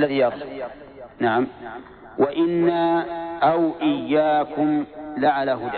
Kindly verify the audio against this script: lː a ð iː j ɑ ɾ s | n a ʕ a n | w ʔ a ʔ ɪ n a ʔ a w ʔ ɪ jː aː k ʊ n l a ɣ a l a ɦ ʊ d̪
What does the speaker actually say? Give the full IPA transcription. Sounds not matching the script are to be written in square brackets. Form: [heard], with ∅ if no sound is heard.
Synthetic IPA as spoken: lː a ð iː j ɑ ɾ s | n a ʕ a [m] | w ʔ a ʔ ɪ [nː] a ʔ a w ʔ ɪ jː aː k ʊ [m] l a [ʕ] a l a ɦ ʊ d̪